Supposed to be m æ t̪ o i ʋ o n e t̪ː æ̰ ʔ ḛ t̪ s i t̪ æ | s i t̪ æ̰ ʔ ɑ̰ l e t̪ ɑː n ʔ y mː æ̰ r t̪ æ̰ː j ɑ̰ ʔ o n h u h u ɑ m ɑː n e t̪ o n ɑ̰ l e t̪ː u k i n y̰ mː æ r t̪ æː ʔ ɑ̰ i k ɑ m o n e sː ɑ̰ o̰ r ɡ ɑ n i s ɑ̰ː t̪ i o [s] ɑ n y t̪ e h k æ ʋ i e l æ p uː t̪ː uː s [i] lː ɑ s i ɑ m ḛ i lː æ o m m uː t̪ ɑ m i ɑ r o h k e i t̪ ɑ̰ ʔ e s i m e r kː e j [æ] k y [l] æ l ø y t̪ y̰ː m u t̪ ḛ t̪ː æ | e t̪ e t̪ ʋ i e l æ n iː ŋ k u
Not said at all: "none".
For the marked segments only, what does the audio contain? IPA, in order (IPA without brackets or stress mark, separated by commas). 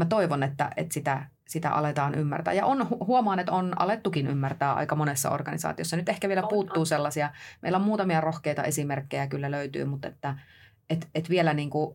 sː, e, æ, lː